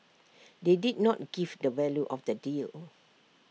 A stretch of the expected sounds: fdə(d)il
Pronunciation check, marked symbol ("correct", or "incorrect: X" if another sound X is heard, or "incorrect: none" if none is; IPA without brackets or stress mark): correct